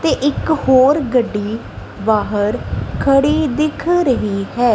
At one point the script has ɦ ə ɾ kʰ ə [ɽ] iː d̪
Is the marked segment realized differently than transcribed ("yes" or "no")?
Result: no